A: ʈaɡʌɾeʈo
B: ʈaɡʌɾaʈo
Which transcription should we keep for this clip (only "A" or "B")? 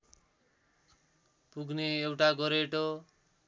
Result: A